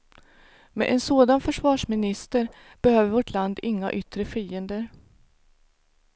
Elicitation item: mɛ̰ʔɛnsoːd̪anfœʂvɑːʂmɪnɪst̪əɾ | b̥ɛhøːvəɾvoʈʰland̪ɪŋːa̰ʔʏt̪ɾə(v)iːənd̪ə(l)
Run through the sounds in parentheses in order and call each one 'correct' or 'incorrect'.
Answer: incorrect, incorrect

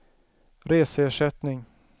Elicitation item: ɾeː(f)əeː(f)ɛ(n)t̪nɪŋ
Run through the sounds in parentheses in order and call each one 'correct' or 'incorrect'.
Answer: incorrect, incorrect, incorrect

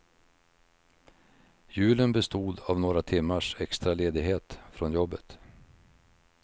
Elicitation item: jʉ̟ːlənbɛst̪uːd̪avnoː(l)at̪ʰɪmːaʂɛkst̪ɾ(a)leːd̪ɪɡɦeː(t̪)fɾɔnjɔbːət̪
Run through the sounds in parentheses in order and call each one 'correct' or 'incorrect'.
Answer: incorrect, correct, correct

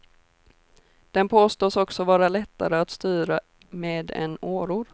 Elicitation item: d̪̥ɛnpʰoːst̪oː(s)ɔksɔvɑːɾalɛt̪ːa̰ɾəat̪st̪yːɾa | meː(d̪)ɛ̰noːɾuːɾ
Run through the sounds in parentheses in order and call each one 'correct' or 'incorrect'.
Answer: correct, correct

